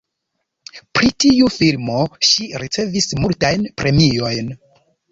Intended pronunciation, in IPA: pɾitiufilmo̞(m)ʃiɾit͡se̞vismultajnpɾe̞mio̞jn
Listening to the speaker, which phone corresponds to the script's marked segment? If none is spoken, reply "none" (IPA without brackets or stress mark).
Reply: none